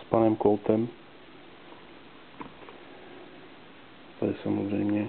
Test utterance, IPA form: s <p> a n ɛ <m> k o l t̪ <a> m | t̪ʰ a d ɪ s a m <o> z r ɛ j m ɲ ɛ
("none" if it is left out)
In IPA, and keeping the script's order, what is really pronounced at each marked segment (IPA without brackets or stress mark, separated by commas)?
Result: p, m, ɛ, o